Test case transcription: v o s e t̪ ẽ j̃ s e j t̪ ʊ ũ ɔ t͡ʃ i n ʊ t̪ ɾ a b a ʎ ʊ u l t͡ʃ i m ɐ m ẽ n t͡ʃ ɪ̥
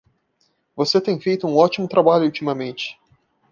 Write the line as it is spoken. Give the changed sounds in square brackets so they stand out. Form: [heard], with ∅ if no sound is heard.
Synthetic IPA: v o s e t̪ ẽ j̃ [f] e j t̪ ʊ ũ ɔ t͡ʃ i [m] ʊ t̪ ɾ a b a ʎ ʊ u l t͡ʃ i m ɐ m ẽ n t͡ʃ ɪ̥